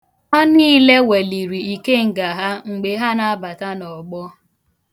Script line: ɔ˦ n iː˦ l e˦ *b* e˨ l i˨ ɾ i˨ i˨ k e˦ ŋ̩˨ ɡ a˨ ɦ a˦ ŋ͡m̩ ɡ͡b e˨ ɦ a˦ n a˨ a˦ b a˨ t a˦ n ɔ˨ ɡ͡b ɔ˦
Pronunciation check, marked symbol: incorrect: w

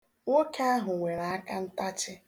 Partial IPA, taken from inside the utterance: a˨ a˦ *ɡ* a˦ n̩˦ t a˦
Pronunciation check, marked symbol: incorrect: k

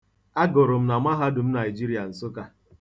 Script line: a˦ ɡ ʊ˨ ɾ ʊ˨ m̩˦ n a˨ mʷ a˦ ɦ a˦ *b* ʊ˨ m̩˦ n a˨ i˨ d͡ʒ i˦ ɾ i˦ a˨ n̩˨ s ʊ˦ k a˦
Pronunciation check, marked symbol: incorrect: d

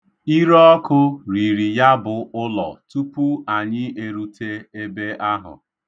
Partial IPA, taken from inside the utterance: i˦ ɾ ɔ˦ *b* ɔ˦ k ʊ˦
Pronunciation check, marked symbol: incorrect: none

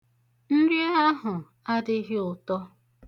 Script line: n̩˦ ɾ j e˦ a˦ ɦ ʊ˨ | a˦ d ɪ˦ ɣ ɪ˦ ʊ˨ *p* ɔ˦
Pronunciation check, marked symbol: incorrect: t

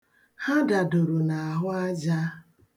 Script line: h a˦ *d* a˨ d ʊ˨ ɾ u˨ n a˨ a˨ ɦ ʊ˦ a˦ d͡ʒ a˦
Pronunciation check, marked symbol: correct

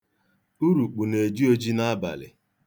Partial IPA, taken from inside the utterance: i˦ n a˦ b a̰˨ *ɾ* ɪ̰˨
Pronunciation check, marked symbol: incorrect: l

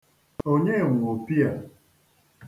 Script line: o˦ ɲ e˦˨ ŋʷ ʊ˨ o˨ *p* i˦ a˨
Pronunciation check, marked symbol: correct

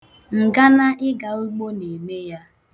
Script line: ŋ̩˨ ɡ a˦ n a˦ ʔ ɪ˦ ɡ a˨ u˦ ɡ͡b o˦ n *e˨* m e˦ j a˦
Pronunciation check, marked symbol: correct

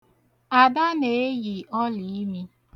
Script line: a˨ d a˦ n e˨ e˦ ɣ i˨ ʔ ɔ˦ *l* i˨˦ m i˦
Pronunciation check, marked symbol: correct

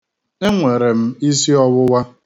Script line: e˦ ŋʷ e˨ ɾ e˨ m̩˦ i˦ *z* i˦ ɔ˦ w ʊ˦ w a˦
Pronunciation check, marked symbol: incorrect: s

